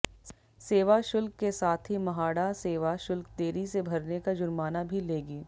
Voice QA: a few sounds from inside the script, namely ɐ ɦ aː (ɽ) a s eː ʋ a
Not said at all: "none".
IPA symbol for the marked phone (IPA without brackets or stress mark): ɽ